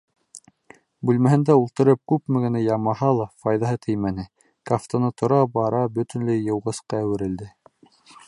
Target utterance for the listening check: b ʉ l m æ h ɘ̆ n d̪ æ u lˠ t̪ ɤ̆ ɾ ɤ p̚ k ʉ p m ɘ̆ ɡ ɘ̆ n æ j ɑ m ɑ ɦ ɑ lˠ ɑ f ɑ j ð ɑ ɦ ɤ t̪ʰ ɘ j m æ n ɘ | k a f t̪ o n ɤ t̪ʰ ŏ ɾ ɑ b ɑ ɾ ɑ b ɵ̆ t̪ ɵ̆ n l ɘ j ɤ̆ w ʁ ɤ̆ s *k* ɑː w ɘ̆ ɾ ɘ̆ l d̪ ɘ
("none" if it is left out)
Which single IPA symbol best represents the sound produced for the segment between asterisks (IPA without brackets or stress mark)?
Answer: q